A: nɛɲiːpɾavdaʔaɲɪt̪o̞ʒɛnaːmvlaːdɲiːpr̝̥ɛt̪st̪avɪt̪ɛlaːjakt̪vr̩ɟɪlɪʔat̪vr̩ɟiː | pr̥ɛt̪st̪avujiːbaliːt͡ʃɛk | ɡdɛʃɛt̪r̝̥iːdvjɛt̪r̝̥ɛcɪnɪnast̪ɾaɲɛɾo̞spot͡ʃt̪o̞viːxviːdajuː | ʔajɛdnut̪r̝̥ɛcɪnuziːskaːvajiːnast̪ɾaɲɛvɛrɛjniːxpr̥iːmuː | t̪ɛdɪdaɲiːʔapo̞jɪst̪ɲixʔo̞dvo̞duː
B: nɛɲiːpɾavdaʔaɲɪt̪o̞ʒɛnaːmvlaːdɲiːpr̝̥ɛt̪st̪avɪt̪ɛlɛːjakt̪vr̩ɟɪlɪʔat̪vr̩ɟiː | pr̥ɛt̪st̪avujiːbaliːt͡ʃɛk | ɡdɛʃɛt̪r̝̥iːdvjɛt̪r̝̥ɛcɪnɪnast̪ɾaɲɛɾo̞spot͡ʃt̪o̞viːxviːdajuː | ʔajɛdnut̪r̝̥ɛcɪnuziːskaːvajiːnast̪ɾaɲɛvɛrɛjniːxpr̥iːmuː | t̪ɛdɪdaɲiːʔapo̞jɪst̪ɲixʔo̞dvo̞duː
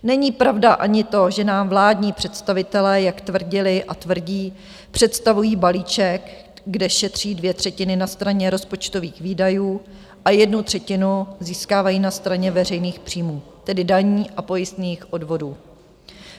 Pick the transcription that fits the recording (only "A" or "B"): B